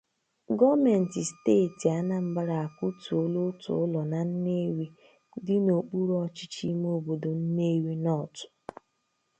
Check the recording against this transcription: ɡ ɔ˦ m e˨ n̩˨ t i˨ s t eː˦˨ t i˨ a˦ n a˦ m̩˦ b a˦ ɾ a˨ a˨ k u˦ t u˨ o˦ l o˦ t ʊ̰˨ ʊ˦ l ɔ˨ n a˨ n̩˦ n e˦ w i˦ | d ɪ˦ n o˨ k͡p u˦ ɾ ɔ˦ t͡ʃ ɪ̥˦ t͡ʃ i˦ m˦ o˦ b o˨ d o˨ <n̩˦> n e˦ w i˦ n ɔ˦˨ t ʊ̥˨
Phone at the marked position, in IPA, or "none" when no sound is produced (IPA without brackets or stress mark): n̩˦